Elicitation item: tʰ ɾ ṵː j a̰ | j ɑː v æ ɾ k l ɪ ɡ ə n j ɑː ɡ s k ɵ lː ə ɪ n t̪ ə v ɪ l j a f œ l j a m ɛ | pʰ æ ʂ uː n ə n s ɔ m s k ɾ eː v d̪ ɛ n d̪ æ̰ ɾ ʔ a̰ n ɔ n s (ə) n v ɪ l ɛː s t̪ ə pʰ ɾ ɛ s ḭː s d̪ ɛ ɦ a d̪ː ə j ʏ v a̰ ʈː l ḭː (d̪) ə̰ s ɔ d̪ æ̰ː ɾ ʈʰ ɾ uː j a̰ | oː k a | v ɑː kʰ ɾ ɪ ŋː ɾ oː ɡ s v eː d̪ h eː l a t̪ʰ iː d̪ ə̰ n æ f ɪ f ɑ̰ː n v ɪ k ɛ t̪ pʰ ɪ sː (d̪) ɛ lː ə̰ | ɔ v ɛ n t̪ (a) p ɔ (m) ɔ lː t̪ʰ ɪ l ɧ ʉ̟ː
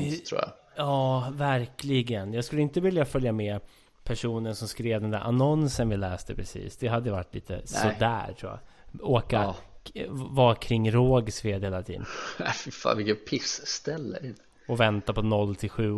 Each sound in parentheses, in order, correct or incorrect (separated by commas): correct, incorrect, incorrect, correct, incorrect